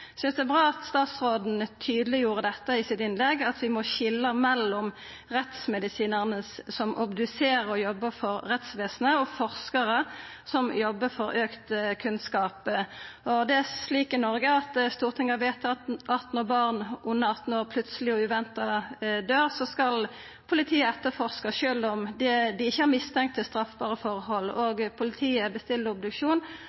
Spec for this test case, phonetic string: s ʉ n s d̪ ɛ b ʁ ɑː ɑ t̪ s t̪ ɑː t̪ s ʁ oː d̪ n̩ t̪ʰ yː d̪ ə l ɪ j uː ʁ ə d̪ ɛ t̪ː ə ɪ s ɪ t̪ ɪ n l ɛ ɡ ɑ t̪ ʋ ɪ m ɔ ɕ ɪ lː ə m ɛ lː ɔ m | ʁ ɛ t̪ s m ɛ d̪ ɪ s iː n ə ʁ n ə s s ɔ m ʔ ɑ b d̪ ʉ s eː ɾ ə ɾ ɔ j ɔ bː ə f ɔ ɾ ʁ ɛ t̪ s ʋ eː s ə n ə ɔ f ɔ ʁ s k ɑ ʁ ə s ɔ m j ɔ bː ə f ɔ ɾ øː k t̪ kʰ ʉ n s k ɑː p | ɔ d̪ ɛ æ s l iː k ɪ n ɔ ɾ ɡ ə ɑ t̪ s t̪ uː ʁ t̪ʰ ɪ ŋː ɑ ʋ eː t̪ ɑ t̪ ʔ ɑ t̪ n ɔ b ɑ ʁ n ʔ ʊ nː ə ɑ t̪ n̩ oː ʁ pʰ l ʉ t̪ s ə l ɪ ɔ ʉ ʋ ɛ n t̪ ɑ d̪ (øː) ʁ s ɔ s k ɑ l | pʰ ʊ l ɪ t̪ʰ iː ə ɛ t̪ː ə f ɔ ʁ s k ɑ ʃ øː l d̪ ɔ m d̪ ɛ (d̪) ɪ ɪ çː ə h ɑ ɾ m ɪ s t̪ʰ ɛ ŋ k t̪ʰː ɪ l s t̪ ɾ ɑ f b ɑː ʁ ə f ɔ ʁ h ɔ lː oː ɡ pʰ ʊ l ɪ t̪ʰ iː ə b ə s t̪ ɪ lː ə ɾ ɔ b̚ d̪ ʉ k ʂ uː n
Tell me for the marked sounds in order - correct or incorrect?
correct, correct

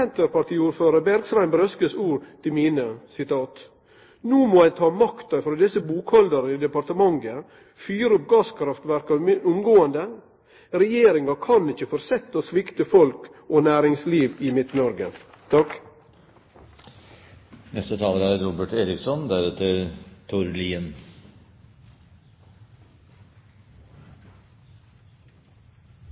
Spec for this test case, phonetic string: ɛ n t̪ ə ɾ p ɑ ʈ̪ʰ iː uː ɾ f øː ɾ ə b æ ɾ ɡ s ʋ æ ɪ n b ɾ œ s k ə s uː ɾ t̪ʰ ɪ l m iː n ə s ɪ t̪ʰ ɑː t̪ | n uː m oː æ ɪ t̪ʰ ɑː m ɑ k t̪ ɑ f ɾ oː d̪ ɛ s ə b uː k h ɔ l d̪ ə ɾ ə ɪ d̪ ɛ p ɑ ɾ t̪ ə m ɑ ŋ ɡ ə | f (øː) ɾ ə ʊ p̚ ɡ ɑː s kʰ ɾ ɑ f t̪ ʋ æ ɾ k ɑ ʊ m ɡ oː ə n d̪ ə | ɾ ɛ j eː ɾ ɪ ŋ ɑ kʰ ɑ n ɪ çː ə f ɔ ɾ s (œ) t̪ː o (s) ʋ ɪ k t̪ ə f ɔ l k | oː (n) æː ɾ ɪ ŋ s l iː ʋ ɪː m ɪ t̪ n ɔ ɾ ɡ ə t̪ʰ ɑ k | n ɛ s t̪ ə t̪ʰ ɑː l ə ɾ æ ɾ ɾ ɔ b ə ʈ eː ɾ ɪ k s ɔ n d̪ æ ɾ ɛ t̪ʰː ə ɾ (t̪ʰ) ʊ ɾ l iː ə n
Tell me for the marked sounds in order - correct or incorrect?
incorrect: yː, incorrect: ɛ, correct, correct, correct

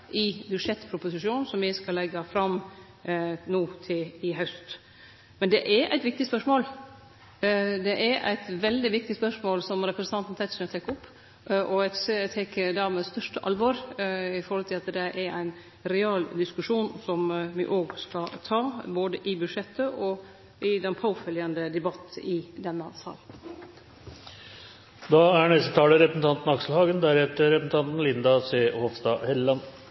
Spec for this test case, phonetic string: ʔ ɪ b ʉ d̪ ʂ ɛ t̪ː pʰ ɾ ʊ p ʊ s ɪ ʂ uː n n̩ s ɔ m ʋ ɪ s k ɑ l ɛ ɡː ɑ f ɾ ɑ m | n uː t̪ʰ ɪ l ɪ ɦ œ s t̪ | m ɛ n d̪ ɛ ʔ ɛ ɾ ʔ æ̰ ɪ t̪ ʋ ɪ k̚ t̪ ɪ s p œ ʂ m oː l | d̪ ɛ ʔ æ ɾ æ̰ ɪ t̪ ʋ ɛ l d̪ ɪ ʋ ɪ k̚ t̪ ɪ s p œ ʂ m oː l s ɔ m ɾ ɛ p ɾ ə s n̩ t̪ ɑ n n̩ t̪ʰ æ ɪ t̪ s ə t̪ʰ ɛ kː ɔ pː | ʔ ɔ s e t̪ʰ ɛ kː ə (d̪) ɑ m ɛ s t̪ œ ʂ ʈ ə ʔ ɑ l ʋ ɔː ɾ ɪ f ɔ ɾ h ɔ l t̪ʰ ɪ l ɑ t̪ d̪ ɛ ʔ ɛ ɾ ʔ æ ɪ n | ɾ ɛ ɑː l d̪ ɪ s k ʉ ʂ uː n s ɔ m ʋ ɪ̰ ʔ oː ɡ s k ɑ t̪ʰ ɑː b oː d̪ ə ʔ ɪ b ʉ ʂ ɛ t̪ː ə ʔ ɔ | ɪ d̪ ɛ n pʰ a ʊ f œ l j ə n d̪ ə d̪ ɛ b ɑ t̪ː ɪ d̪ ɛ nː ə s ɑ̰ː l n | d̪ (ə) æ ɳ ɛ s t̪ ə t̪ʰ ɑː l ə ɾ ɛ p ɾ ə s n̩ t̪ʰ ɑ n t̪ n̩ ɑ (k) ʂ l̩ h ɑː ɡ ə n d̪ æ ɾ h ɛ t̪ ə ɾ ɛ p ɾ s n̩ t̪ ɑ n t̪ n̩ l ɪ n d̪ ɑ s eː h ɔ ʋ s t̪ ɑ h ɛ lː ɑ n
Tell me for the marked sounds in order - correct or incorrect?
correct, incorrect: ɑ, correct

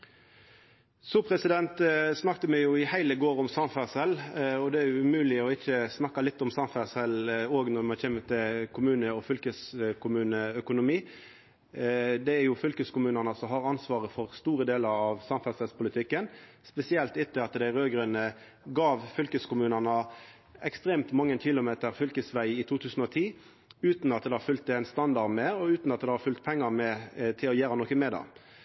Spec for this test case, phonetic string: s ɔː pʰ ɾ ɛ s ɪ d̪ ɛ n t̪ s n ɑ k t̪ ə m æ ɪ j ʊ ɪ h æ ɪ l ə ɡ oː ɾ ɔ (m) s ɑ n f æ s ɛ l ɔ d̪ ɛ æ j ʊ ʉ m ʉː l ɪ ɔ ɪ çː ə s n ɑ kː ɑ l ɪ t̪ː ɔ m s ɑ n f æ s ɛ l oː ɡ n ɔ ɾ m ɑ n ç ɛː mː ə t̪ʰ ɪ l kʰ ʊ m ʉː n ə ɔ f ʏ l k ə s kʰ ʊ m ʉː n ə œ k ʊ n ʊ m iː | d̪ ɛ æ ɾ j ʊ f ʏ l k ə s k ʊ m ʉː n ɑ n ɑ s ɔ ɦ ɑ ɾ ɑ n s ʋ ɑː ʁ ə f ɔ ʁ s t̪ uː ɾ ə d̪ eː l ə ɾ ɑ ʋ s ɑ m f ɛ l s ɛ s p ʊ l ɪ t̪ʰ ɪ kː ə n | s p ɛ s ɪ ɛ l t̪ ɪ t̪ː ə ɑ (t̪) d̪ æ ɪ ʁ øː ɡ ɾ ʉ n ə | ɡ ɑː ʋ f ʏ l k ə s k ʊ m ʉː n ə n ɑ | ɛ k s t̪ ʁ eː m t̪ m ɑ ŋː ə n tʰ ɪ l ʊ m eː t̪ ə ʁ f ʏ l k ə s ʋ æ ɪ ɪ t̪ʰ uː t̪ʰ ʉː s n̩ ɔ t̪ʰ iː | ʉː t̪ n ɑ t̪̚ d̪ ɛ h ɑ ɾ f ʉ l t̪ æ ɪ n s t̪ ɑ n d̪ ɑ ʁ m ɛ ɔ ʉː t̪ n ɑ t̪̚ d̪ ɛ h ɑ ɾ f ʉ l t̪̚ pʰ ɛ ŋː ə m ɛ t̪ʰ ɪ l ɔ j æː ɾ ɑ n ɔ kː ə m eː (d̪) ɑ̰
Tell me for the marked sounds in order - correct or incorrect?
correct, correct, correct

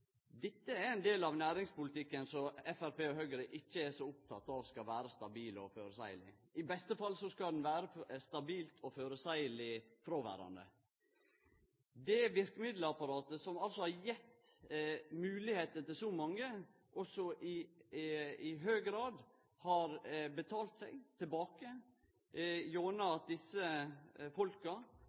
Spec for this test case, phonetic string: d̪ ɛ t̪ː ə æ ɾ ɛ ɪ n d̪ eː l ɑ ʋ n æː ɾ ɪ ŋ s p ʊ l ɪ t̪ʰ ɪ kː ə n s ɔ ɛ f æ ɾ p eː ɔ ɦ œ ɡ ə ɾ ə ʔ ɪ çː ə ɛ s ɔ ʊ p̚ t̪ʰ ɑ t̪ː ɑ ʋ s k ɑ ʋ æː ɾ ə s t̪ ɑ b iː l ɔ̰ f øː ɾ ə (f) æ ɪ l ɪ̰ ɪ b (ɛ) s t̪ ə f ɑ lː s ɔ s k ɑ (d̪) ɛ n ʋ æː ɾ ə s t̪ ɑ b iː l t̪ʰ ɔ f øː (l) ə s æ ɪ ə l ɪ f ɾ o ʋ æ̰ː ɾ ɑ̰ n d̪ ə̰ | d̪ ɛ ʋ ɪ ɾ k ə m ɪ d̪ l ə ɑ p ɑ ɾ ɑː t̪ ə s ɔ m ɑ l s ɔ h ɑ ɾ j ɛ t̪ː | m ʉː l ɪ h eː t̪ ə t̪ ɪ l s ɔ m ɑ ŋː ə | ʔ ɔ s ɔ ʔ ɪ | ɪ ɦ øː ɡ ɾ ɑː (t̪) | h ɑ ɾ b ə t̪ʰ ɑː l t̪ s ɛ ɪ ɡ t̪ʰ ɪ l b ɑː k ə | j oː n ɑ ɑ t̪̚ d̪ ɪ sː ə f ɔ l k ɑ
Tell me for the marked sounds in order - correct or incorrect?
incorrect: s, correct, correct, incorrect: ɾ, incorrect: d̪

